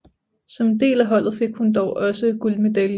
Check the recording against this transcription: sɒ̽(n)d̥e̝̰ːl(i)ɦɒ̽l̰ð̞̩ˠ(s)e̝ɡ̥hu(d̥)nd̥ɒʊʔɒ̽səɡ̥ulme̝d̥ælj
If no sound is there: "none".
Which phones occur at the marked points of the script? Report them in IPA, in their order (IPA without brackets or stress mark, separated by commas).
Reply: m, æ, f, none